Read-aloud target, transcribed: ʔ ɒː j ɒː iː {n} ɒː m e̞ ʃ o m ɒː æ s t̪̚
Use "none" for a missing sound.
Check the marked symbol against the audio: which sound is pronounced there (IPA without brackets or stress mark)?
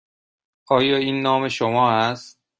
nː